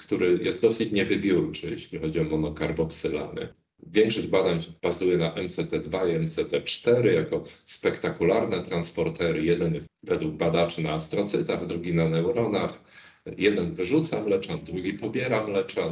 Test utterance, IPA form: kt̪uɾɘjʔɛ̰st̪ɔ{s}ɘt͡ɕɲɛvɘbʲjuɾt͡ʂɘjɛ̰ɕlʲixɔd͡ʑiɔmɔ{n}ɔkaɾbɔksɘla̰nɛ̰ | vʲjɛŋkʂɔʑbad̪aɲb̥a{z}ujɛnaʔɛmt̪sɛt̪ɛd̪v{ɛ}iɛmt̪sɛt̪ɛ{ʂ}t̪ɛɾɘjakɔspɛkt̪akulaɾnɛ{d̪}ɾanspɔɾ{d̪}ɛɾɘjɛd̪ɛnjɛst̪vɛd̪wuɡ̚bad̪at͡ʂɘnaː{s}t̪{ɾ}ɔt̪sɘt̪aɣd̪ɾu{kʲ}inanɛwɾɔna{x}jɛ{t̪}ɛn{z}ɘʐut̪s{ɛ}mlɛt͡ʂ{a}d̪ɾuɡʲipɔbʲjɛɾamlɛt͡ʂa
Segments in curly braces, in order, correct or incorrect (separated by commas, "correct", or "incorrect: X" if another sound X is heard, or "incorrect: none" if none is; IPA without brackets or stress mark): correct, correct, correct, incorrect: a, incorrect: t͡ʂ, incorrect: t̪, incorrect: t̪, correct, correct, incorrect: ɡʲ, correct, incorrect: d̪, incorrect: v, incorrect: a, correct